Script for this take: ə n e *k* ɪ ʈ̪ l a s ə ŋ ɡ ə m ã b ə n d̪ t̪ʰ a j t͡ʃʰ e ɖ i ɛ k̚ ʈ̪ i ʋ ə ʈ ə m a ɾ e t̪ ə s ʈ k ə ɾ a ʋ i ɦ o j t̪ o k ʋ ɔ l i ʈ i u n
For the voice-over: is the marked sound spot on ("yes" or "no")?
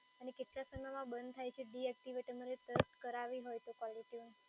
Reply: yes